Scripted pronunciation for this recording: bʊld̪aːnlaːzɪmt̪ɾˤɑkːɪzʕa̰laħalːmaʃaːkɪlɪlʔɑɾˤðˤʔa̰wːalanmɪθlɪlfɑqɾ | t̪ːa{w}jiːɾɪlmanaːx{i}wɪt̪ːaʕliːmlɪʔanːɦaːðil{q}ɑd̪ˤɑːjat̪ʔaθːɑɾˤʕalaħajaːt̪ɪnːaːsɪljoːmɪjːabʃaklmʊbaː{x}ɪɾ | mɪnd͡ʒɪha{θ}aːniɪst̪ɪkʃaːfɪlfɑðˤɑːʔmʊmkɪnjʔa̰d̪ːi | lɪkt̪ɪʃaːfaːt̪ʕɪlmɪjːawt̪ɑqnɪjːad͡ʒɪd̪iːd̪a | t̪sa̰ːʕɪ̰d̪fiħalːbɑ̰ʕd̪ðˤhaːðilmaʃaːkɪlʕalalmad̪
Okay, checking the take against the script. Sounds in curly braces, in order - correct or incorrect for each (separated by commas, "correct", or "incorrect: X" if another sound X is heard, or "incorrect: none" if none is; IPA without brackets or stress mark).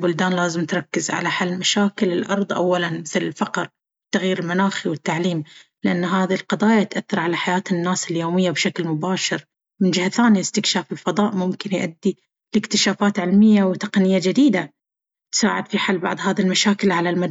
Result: incorrect: ɣ, correct, correct, incorrect: ʃ, correct